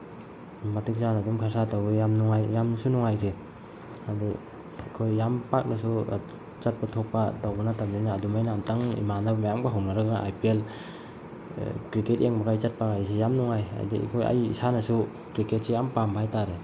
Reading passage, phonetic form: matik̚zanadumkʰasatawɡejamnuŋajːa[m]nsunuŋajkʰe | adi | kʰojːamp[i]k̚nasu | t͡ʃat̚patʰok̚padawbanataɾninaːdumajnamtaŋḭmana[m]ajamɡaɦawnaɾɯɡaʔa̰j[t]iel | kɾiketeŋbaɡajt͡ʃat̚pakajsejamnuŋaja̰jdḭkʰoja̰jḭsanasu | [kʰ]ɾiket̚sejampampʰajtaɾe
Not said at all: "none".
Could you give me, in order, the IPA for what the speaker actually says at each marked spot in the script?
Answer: m, a, m, p, k

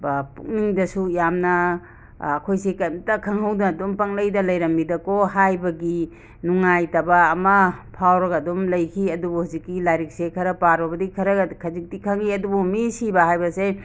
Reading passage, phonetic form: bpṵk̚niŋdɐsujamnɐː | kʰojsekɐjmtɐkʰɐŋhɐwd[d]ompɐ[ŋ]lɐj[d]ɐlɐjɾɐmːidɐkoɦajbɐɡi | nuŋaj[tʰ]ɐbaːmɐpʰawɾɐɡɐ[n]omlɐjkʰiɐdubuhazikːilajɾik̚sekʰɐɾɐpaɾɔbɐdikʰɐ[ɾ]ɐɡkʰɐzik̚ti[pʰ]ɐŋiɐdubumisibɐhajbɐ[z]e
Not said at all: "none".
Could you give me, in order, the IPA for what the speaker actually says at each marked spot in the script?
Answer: d, ŋ, d, t, d, ɾ, kʰ, s

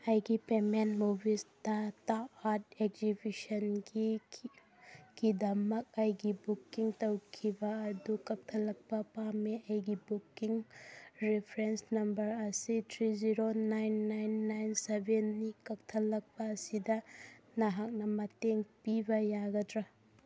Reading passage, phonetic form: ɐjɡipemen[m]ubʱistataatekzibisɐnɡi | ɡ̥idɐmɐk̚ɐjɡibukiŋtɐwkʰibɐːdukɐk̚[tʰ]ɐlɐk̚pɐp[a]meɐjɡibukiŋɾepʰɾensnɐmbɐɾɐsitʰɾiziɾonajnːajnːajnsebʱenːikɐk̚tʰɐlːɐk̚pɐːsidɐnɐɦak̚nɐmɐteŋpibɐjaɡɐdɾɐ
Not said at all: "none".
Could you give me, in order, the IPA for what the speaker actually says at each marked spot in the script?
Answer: m, tʰ, a

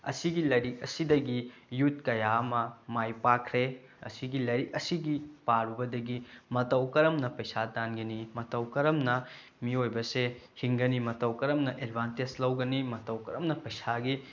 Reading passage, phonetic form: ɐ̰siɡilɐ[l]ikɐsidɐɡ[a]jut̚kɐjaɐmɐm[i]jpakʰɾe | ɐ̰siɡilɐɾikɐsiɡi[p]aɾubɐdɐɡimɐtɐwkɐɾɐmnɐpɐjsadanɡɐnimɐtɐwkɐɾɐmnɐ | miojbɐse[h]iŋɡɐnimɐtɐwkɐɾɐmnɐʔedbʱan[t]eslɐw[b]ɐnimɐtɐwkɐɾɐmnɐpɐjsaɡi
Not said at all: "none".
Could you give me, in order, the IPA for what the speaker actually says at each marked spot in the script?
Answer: ɾ, i, a, p, h, t, ɡ

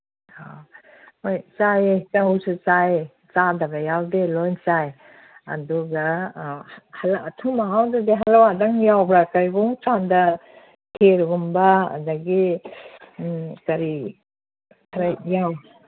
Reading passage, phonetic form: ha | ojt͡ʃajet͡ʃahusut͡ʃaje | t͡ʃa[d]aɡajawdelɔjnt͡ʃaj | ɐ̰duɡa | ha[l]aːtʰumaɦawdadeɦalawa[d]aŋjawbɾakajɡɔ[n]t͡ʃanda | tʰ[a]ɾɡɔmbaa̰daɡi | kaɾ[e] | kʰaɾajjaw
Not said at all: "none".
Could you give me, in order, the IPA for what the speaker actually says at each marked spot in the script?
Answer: d, l, d, ŋ, e, i

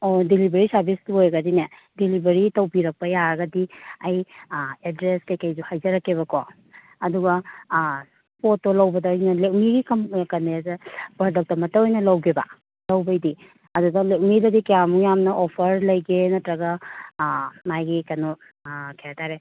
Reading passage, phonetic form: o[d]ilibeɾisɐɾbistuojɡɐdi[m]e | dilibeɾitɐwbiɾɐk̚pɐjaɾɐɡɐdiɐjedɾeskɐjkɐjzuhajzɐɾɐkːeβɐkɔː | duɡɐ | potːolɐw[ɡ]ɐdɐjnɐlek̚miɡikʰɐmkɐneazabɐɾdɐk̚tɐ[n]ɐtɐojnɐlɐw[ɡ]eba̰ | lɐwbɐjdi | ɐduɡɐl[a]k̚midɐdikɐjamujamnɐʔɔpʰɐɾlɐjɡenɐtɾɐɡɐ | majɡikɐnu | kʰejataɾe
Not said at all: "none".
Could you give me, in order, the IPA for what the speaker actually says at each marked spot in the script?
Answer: d, n, b, m, ɡ, e

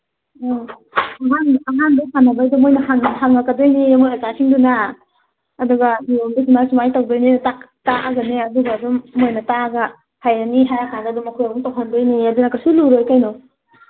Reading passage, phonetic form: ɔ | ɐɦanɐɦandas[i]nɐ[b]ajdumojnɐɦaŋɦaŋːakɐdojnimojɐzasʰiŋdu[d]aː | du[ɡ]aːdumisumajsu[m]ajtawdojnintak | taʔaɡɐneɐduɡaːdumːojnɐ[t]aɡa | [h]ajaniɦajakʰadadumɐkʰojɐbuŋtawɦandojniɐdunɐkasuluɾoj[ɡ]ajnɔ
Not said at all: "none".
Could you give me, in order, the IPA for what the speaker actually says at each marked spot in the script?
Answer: a, b, n, ɡ, m, t, h, k

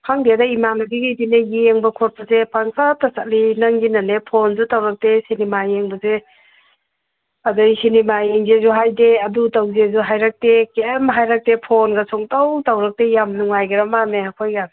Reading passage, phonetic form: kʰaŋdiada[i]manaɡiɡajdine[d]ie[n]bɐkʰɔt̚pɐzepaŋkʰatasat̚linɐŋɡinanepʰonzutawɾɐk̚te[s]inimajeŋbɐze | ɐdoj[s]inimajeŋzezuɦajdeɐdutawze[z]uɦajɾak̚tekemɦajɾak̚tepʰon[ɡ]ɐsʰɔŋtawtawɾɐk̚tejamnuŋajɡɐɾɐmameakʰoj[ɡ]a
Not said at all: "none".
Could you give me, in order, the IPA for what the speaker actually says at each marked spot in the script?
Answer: i, ɡ, ŋ, s, s, z, ɡ, ɡ

